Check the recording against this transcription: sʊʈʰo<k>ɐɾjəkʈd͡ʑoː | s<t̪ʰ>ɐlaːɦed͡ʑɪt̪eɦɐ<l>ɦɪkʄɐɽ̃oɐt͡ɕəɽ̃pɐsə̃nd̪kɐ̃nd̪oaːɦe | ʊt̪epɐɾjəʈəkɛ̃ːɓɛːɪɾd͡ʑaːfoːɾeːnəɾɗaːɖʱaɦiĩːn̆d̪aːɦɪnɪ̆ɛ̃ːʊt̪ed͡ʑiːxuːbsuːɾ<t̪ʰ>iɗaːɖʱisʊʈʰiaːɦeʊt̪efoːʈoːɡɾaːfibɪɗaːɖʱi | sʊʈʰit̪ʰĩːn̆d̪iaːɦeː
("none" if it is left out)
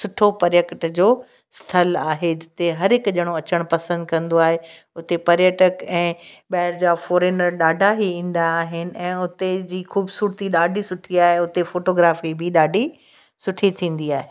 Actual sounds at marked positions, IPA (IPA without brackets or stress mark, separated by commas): p, t̪ʰ, ɾ, t̪